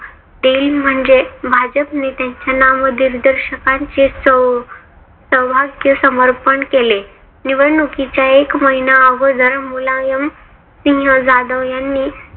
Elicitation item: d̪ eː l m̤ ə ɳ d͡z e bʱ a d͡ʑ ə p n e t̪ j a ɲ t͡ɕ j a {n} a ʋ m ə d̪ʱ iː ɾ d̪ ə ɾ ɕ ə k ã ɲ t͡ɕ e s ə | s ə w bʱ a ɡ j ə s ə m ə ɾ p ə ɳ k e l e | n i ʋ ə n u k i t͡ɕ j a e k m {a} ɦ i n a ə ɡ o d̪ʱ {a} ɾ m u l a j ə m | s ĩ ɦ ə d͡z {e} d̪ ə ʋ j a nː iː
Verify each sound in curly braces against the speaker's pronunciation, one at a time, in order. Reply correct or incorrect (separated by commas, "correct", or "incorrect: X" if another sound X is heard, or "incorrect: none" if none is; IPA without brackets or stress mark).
correct, incorrect: ə, incorrect: ə, incorrect: a